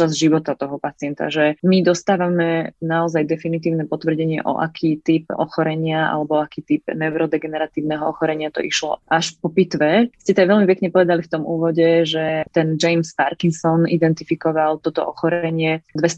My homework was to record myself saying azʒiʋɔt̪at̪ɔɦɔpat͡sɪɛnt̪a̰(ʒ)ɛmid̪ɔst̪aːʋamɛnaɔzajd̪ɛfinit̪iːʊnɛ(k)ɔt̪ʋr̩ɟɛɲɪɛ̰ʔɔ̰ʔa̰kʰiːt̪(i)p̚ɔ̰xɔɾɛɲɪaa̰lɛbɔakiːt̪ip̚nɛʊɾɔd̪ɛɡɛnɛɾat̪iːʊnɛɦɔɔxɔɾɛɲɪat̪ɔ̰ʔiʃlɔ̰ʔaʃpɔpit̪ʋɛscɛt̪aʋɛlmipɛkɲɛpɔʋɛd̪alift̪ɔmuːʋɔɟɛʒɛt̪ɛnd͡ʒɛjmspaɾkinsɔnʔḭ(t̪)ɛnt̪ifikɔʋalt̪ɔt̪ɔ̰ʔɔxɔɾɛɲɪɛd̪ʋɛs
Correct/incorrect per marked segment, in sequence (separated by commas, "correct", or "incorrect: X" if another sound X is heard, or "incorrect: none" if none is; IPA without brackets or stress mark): correct, incorrect: p, correct, incorrect: d̪